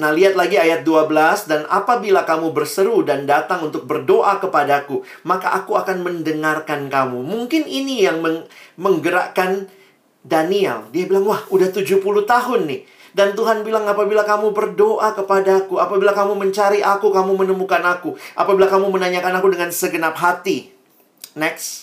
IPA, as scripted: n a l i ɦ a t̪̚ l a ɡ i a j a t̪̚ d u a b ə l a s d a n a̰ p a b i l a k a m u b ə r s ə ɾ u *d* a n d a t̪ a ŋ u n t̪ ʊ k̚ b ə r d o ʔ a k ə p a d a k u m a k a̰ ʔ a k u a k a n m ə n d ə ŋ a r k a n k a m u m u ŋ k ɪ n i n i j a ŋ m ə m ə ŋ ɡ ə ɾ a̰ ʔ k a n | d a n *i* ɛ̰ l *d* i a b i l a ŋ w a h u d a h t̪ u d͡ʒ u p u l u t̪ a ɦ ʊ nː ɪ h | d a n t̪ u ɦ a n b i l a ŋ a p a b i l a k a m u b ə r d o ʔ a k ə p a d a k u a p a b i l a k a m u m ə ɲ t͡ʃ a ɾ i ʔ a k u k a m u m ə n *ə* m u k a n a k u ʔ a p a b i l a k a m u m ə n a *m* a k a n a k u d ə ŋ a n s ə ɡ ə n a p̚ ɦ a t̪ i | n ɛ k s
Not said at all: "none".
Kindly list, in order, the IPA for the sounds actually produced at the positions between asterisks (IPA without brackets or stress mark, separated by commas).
d, i, d, ə, ɲ